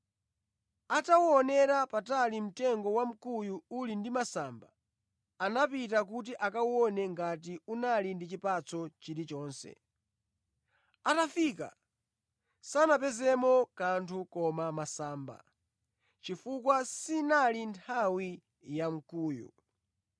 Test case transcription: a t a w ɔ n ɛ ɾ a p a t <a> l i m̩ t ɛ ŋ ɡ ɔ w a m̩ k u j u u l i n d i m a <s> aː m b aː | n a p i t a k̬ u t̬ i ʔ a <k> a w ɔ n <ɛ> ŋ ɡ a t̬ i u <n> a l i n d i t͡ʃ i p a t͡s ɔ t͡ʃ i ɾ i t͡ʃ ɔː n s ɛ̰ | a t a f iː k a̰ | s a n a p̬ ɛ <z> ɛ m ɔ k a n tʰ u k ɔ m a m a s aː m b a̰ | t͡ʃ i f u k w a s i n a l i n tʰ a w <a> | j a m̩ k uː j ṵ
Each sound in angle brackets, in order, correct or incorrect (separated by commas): correct, correct, correct, correct, correct, correct, incorrect